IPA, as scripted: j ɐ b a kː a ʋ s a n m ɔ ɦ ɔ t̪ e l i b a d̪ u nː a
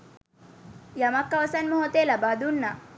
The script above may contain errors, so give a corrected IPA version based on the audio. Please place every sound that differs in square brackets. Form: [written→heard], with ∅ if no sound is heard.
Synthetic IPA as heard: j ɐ [b→m] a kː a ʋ s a n m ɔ ɦ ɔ t̪ e l [i→a] b a d̪ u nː a